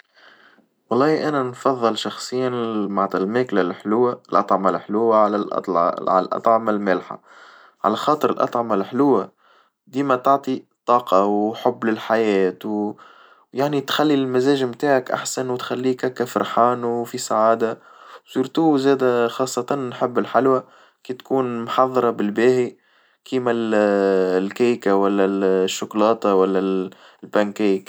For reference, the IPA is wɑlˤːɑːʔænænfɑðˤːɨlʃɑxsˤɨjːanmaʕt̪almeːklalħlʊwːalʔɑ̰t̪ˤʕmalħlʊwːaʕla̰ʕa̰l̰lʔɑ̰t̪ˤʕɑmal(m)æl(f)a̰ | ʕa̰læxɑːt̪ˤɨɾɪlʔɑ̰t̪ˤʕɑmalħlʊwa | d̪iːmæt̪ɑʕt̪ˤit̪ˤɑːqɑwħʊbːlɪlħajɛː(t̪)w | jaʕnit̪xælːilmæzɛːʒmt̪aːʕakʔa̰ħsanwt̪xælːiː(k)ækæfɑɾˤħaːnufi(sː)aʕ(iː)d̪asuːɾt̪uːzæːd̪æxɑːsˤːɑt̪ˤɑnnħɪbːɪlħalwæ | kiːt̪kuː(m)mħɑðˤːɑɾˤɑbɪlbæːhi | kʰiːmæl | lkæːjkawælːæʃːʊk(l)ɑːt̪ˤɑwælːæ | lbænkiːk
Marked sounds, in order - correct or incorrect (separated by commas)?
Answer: correct, incorrect, correct, correct, incorrect, incorrect, incorrect, correct